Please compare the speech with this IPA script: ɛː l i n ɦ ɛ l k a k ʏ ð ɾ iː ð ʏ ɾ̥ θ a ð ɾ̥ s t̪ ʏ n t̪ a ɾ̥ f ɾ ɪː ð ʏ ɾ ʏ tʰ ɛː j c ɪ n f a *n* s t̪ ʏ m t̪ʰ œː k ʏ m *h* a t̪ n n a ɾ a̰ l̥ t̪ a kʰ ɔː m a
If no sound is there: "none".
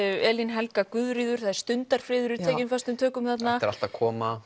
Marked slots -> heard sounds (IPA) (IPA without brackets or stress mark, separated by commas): none, θ